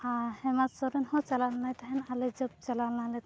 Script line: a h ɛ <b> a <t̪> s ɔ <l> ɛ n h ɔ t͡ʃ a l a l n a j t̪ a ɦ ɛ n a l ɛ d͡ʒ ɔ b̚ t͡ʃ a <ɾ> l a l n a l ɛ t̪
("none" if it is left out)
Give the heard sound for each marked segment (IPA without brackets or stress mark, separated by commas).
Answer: m, t̪, ɾ, none